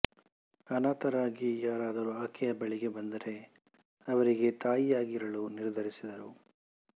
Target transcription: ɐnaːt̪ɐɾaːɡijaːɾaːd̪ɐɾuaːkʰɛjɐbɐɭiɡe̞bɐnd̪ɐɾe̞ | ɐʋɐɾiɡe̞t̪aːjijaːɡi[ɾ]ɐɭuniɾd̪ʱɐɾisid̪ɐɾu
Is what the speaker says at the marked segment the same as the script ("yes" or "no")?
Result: yes